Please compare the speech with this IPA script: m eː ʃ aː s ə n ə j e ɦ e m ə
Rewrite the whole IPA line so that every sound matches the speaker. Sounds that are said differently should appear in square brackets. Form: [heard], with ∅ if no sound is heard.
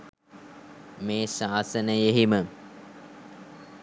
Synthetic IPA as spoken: m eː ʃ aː s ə n ə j e ɦ [i] m ə